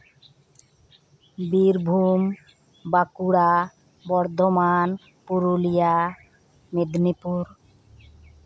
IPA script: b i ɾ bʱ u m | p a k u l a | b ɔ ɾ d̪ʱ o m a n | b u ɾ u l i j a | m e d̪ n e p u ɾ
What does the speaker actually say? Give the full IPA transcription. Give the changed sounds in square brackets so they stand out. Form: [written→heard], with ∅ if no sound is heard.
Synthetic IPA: b i ɾ bʱ u m | [p→b] a k u [l→ɽ] a | b ɔ ɾ d̪ʱ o m a n | [b→p] u ɾ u l i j a | m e d̪ n [e→i] p u ɾ

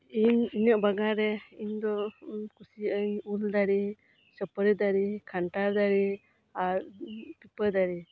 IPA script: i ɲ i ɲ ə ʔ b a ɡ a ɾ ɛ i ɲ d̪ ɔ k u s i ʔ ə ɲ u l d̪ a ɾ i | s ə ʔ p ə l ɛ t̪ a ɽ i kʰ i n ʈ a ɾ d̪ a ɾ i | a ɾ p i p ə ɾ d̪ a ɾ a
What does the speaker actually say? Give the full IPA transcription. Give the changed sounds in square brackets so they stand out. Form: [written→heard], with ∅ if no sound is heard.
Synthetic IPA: i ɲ i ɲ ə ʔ b a ɡ a ɾ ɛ i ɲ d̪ ɔ k u s i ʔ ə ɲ u l d̪ a ɾ i | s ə [ʔ→∅] p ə [l→ɾ] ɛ [t̪→d̪] a [ɽ→ɾ] i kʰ [i→a] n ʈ a ɾ d̪ a ɾ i | a ɾ p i p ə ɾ d̪ a ɾ [a→i]

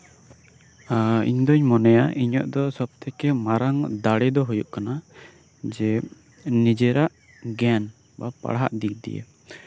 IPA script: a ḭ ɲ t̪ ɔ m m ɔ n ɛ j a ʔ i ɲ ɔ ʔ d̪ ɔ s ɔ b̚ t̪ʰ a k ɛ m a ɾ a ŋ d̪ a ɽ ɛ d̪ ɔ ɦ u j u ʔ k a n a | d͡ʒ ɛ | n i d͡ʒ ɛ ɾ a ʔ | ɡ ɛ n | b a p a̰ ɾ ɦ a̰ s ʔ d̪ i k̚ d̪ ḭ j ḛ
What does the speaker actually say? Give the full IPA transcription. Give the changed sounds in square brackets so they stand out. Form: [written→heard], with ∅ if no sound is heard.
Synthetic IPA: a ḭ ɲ [t̪→d̪] ɔ [m→ɲ] m ɔ n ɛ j a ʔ i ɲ ɔ ʔ d̪ ɔ s ɔ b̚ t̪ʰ [a→ɛ] k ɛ m a ɾ a ŋ d̪ a ɽ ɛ d̪ ɔ ɦ u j u ʔ k a n a | d͡ʒ ɛ | n i d͡ʒ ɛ ɾ a ʔ | ɡ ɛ n | b a p a̰ [ɾ→ɽ] ɦ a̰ [s→∅] ʔ d̪ i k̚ d̪ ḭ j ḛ

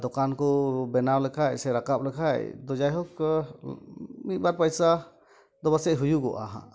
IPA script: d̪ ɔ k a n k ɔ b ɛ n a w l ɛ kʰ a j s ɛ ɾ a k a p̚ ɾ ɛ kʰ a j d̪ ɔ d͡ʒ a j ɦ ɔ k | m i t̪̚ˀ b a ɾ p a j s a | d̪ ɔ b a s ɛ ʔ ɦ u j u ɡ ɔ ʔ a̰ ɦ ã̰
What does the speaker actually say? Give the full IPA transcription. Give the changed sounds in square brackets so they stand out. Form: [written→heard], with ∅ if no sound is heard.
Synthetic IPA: d̪ ɔ k a n k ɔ b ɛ n a w l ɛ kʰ a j s ɛ ɾ a k a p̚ [ɾ→l] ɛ kʰ a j d̪ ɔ d͡ʒ a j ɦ ɔ k | m i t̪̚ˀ b a ɾ p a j s a | d̪ ɔ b a s ɛ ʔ ɦ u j u ɡ ɔ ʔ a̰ ɦ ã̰

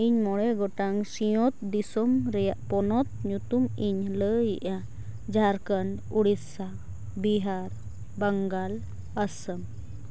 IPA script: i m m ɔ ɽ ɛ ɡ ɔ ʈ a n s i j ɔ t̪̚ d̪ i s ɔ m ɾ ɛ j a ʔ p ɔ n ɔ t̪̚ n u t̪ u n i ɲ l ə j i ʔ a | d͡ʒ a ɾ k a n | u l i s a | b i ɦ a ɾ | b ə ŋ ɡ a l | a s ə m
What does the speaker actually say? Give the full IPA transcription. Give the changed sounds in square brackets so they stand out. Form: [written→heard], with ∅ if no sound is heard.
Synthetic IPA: i [m→ɲ] m ɔ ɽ ɛ ɡ ɔ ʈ a [n→ŋ] s i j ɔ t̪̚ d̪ i s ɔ m ɾ ɛ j a ʔ p ɔ n ɔ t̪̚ [n→ɲ] u t̪ u [n→m] i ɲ l ə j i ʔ a | d͡ʒ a ɾ k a n | u [l→ɽ] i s a | b i ɦ a ɾ | b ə ŋ ɡ a l | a s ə m

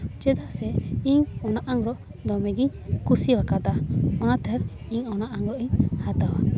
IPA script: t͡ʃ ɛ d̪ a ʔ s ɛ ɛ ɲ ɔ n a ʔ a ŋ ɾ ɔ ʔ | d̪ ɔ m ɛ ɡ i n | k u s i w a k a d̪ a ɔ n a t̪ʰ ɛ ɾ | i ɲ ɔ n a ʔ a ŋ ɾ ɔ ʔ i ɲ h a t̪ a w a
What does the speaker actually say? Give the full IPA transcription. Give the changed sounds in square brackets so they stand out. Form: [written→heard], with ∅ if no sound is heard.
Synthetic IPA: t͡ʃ ɛ d̪ a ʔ s ɛ [ɛ→i] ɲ ɔ n a ʔ a ŋ ɾ ɔ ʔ | d̪ ɔ m ɛ ɡ i [n→ɲ] | k u s i w a k a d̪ a ɔ n a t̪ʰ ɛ ɾ | i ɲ ɔ n a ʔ a ŋ ɾ ɔ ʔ i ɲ h a t̪ a w a

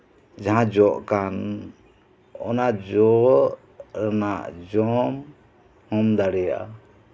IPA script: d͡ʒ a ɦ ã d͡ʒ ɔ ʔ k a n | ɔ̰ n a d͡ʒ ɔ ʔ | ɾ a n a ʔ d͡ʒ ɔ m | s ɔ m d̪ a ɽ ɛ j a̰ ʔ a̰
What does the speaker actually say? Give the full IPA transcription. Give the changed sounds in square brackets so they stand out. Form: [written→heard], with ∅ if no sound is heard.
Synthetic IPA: d͡ʒ a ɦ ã d͡ʒ ɔ ʔ k a n | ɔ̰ n a d͡ʒ ɔ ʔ | ɾ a n a ʔ d͡ʒ ɔ m | [s→h] ɔ m d̪ a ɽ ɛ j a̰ ʔ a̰

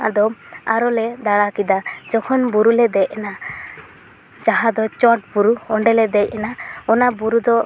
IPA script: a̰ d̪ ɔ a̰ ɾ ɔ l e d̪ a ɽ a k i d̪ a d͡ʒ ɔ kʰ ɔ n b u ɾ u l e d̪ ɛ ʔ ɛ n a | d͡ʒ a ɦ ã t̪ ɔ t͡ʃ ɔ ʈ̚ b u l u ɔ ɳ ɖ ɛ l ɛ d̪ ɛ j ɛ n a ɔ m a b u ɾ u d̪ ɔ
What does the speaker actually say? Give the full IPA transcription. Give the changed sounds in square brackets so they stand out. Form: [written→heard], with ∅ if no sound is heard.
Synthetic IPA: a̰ d̪ ɔ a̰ ɾ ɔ l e d̪ a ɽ a k i d̪ a d͡ʒ ɔ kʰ ɔ n b u ɾ u l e d̪ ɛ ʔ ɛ n a | d͡ʒ a ɦ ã [t̪→d̪] ɔ t͡ʃ ɔ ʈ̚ b u [l→ɾ] u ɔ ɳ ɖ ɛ l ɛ d̪ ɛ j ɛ n a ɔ [m→n] a b u ɾ u d̪ ɔ

